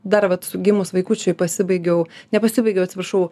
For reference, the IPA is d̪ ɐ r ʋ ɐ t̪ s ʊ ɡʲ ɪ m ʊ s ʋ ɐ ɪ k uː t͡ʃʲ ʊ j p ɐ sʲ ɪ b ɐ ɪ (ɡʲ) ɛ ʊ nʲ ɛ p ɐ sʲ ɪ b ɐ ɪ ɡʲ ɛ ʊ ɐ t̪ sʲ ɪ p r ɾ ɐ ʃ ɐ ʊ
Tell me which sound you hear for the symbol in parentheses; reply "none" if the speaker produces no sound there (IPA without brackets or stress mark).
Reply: ɡʲ